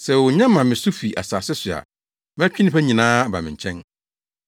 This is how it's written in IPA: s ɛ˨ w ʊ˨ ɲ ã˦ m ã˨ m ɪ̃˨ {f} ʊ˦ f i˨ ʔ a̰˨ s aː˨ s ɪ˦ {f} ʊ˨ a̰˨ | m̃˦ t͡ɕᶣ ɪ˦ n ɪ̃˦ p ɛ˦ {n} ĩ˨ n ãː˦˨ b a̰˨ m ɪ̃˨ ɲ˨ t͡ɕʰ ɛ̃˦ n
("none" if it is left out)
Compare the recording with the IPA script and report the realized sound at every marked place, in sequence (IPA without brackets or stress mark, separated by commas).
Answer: s, s, ɲ